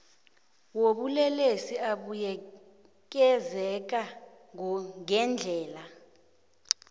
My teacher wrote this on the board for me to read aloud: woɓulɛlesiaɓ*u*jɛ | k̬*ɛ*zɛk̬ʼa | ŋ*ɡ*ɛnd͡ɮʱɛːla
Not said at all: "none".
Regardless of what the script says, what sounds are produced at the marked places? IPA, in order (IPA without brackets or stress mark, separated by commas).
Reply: u, ɛ, ŋ